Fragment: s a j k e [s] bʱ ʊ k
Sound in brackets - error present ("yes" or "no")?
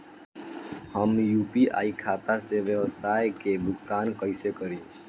yes